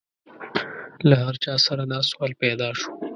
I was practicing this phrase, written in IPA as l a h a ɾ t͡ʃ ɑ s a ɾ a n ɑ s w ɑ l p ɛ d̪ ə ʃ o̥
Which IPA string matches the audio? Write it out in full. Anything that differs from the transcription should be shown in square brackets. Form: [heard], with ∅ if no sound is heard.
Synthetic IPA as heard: l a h a ɾ t͡ʃ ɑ s a ɾ a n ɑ s w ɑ l p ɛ d̪ [ɑ] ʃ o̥